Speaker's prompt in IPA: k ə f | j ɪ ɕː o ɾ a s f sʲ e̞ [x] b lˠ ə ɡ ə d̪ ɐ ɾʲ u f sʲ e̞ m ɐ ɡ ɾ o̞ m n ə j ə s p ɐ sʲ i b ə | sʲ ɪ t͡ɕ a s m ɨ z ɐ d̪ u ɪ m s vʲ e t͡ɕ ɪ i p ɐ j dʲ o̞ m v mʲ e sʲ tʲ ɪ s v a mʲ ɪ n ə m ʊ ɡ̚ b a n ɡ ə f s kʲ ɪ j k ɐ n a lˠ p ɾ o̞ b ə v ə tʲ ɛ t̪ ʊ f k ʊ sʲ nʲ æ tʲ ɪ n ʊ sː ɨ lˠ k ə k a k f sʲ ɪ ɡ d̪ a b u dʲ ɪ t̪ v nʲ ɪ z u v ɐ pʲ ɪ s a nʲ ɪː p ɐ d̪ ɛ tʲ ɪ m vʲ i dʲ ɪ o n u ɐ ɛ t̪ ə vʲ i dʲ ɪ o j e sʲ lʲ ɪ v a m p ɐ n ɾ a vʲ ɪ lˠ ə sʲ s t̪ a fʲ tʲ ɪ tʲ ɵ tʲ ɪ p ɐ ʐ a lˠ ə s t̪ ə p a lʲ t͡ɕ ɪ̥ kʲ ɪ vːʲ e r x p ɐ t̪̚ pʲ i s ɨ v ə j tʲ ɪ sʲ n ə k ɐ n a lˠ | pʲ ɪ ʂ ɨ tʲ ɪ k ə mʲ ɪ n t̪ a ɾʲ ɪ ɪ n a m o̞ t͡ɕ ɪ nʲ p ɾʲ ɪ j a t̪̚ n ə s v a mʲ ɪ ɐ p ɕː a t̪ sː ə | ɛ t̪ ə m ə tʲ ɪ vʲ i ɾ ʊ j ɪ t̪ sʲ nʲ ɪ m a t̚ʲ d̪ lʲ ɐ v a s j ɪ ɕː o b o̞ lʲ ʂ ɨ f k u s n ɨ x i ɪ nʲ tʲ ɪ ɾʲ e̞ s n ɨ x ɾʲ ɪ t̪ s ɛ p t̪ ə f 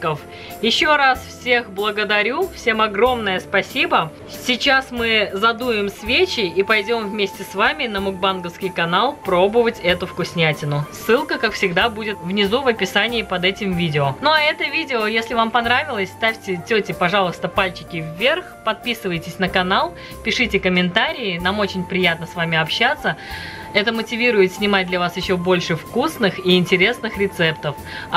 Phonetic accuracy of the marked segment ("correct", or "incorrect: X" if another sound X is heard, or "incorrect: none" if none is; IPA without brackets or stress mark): correct